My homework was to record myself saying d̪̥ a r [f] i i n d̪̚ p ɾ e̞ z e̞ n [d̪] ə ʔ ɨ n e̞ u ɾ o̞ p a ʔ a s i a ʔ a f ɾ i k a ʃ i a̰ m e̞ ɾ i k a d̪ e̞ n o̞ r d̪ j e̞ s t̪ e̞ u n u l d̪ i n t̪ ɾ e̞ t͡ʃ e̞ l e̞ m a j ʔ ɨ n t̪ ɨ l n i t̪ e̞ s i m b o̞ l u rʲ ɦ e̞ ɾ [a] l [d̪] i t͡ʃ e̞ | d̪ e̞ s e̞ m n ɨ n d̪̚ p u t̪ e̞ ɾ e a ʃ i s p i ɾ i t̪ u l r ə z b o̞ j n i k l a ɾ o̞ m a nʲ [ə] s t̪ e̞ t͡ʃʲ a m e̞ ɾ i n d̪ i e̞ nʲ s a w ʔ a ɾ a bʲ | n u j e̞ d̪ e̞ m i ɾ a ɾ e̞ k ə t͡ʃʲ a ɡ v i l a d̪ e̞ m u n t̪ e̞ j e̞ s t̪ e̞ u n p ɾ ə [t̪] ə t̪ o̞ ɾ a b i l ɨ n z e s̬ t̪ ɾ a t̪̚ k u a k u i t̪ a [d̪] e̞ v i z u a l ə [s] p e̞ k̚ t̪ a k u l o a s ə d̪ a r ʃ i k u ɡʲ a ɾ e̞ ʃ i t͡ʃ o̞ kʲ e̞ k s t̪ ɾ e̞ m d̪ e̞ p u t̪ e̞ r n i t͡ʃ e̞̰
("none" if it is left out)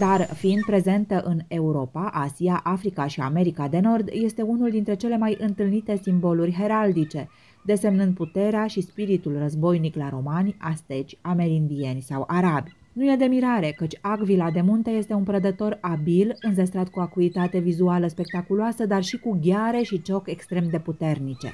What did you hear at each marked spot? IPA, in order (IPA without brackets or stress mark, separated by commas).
f, t̪, a, d̪, a, d̪, t̪, s